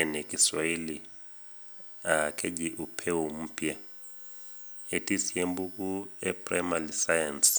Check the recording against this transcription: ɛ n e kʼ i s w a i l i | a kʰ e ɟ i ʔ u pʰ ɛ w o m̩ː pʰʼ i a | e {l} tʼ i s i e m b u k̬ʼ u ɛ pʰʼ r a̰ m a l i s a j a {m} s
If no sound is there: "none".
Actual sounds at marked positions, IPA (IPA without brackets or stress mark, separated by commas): none, n